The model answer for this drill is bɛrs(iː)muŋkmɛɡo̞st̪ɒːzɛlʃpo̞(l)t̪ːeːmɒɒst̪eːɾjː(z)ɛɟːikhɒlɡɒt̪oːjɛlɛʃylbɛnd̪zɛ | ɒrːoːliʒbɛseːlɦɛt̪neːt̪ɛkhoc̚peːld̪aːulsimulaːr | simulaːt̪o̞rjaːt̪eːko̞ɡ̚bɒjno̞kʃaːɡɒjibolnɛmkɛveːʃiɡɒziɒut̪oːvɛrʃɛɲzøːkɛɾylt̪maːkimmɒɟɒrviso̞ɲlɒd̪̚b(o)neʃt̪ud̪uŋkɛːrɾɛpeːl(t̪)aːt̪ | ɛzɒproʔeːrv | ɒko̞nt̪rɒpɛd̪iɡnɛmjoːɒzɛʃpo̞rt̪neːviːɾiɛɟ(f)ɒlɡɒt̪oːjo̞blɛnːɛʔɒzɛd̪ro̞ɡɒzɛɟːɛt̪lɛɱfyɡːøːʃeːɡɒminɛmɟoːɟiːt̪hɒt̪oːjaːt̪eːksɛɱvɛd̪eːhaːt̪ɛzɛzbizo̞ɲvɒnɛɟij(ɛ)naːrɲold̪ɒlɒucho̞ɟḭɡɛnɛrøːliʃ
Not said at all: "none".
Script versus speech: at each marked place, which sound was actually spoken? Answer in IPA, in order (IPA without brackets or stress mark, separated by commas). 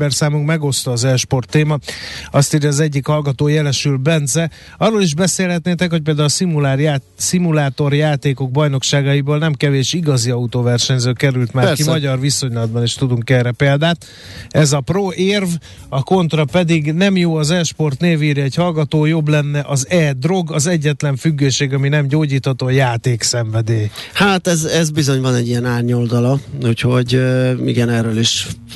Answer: aː, r, z, ɒ, d̪, h, ɛ